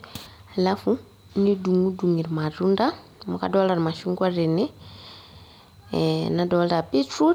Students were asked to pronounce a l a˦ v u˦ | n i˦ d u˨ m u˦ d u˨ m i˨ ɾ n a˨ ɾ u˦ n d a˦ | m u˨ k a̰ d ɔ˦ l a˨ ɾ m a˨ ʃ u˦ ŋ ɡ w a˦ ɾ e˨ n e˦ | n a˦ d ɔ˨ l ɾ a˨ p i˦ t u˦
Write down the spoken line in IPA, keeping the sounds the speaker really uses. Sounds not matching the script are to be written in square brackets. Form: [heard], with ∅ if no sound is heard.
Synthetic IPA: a l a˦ [f] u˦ | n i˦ d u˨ [ŋ] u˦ d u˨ [ŋ] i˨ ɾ [m] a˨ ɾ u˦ n d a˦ | m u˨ k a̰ d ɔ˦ l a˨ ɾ m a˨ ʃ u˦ ŋ ɡ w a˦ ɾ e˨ n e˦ | n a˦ d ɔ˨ l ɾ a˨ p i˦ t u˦